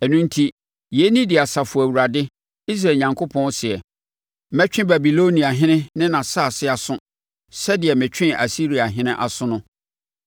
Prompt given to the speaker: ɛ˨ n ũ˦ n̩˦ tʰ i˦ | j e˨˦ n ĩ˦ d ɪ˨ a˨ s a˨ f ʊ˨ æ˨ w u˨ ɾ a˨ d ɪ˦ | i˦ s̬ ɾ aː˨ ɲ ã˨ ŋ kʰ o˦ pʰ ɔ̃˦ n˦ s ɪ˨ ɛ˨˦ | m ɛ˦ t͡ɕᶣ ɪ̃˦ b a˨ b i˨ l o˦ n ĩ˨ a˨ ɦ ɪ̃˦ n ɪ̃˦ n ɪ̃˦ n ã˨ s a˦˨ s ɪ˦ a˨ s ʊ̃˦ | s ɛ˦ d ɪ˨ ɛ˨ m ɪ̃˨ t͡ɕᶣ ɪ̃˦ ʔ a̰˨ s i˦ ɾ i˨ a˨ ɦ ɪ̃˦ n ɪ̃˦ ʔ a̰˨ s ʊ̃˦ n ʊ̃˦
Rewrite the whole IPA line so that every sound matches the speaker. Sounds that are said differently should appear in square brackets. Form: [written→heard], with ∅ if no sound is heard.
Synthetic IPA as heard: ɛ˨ n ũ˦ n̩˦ tʰ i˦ | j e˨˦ n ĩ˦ d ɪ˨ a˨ s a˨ f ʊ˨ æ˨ w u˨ ɾ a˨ d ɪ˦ | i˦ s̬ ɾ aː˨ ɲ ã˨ ŋ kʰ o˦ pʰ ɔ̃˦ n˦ s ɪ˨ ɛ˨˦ | m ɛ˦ t͡ɕᶣ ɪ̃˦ b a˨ b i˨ l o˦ n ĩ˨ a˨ ɦ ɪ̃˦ n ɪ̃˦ n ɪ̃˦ n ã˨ s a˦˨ s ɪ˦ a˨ s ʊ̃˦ | s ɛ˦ d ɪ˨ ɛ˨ m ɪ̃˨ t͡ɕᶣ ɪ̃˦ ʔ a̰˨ s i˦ ɾ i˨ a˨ ɦ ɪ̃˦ n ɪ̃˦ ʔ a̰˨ s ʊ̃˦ n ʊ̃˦